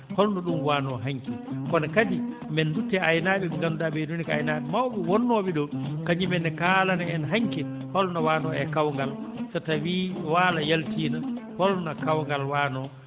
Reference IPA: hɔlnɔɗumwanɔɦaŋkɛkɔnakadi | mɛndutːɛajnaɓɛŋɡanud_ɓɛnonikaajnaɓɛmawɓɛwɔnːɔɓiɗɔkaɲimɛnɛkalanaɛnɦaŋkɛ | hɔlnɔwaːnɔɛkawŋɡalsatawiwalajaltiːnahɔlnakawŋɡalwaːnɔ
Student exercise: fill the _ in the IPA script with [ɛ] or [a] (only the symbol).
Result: a